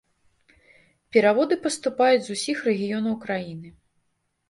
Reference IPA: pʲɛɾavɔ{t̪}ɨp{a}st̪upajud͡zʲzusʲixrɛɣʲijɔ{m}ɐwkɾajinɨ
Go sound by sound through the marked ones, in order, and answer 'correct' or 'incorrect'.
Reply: incorrect: d̪, incorrect: ɐ, incorrect: n

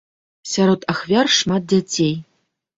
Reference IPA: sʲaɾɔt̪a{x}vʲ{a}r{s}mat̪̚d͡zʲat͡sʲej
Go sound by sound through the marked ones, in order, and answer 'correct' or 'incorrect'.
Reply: correct, correct, incorrect: ʂ

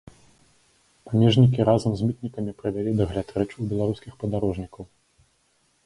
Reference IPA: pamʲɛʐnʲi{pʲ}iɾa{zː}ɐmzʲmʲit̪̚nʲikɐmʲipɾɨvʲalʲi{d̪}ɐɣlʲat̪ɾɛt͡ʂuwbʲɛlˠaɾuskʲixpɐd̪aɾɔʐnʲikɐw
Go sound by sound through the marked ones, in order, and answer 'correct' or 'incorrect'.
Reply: incorrect: kʲ, incorrect: z, correct

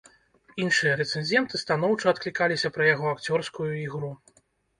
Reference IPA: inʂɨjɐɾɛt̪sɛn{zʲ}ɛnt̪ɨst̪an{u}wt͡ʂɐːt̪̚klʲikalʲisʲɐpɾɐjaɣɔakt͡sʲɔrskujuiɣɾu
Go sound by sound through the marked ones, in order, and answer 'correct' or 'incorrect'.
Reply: correct, incorrect: ɔ

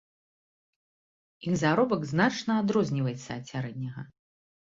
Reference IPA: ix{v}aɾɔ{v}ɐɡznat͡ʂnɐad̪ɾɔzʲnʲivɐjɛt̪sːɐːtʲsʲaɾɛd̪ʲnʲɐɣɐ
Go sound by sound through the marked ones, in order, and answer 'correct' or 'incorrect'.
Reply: incorrect: z, incorrect: b

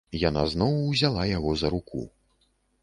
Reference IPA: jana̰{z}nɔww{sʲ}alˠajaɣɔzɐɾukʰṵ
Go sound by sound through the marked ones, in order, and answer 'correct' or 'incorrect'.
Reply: correct, incorrect: zʲ

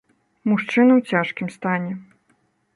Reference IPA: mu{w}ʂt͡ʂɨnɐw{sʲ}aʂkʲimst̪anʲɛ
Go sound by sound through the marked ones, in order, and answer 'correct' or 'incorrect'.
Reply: incorrect: none, incorrect: t͡sʲ

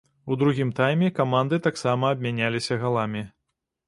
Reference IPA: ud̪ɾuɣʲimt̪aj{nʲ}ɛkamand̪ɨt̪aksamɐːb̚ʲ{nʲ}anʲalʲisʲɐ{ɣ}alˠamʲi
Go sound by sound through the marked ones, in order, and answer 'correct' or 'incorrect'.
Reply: incorrect: mʲ, incorrect: mʲ, correct

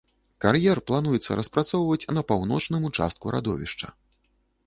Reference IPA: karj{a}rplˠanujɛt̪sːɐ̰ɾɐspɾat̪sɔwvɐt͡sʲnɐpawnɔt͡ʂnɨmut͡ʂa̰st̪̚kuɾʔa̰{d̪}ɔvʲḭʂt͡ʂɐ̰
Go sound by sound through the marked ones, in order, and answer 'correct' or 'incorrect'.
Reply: incorrect: ɛ, correct

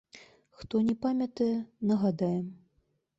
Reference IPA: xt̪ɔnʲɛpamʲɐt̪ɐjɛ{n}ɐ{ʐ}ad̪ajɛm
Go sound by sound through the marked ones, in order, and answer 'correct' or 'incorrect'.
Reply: correct, incorrect: ɣ

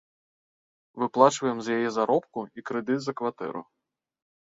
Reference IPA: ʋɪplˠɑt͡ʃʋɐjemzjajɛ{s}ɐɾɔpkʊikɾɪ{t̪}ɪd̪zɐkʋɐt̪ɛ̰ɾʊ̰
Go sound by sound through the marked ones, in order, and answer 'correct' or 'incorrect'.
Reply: incorrect: z, incorrect: d̪

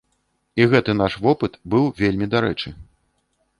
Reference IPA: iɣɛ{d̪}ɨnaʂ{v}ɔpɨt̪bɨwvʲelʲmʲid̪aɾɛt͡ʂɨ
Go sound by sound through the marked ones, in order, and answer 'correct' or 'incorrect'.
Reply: incorrect: t̪, correct

